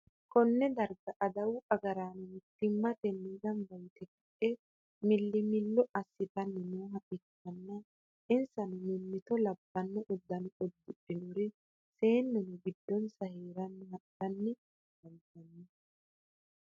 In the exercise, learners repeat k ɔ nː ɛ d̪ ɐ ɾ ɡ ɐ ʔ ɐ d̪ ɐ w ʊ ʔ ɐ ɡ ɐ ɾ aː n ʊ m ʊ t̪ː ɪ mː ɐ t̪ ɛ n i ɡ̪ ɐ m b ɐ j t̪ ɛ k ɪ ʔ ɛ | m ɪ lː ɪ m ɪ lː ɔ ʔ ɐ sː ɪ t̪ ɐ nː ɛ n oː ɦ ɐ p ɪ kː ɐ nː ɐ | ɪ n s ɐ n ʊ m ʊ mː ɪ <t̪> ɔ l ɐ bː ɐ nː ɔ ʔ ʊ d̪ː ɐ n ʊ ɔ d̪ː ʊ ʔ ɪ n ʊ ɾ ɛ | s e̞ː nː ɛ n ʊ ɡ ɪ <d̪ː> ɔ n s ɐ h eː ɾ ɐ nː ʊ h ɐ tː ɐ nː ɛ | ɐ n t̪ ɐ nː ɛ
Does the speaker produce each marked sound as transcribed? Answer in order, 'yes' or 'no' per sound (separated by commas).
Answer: yes, yes